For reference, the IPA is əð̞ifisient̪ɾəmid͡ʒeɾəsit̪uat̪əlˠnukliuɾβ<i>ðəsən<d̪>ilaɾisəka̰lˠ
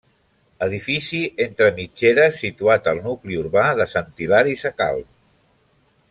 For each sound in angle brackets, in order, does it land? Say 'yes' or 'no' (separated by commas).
no, no